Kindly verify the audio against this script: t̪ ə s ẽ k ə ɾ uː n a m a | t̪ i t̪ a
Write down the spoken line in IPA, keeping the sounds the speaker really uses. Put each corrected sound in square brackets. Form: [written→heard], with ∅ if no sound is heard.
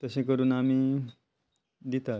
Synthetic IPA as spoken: t̪ ə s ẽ k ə ɾ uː n a m [a→i] | [t̪→d̪] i t̪ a